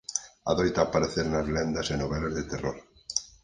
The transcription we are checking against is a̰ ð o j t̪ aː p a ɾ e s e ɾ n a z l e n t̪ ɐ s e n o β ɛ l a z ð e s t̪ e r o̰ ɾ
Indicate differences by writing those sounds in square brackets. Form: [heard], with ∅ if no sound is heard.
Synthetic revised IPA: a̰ ð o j t̪ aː p a ɾ e [θ] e ɾ n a z l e n [d̪] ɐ s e n o β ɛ l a z ð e [∅] t̪ e r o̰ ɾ

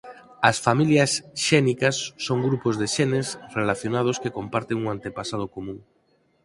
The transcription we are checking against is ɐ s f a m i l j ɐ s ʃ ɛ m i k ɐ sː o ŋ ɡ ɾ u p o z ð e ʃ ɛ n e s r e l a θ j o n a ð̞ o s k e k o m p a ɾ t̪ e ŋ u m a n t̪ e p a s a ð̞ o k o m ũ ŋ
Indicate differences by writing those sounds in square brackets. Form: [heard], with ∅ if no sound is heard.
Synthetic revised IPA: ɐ s f a m i l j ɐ s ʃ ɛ [n] i k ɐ sː o ŋ ɡ ɾ u p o z ð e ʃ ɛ n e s r e l a θ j o n a ð̞ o s k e k o m p a ɾ t̪ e ŋ u [ŋ] a n t̪ e p a s a ð̞ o k o m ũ ŋ

